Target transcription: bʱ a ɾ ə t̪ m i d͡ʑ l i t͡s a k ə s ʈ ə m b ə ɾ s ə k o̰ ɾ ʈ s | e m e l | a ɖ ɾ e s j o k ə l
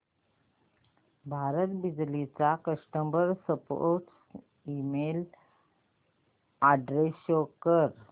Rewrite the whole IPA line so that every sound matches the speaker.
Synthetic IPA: bʱ a ɾ ə t̪ b i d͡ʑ l i t͡s a k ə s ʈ ə m b ə ɾ s ə p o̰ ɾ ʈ s | i m e l | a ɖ ɾ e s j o k ə ɾ

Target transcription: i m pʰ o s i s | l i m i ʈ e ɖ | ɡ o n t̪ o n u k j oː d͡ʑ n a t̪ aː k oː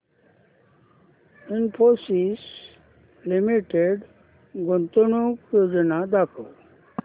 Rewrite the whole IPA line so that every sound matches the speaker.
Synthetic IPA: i n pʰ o s i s | l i m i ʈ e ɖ | ɡ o n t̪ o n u k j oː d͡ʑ n a d̪ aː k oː

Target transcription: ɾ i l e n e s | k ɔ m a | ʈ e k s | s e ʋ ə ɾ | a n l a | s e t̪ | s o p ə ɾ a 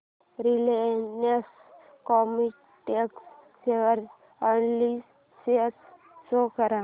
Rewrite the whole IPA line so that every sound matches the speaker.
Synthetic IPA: ɾ i l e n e s | k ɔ m i | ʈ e k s | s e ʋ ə ɾ | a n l i | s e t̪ | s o k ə ɾ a

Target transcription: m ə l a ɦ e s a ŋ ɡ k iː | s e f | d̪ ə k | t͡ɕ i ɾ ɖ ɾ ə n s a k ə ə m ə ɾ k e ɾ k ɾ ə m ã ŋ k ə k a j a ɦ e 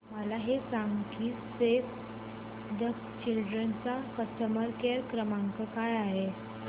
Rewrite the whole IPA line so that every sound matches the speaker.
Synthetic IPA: m ə l a ɦ e s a ŋ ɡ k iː | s e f | d̪ ə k | t͡ɕ i l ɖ ɾ ə n t͡s a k ə ə m ə ɾ k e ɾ k ɾ ə m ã ŋ k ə k a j a ɦ e

